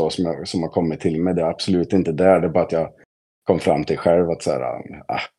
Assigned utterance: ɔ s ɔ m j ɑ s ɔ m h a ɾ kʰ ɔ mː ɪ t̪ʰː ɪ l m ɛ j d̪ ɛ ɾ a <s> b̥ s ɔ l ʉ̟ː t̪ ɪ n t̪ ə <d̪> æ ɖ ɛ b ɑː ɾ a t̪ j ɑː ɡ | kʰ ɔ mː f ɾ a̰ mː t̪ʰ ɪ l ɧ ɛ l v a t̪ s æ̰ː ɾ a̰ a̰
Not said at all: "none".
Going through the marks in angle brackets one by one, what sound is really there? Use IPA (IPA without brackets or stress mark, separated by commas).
none, d̪